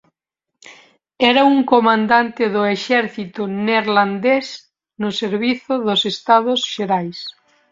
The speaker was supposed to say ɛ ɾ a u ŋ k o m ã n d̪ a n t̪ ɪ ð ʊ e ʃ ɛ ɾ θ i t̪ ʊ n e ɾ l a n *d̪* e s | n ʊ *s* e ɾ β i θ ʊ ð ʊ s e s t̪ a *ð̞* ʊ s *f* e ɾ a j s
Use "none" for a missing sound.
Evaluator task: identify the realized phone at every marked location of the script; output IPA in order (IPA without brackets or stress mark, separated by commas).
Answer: d̪, s, ð̞, ʃ